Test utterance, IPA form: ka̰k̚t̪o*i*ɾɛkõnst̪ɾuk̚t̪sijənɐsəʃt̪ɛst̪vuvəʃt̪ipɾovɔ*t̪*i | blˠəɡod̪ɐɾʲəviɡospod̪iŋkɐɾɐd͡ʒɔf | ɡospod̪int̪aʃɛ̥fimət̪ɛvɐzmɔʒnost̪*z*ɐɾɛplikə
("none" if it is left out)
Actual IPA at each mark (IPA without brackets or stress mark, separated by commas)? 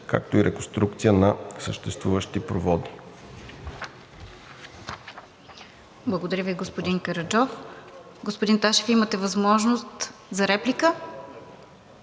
i, d̪, z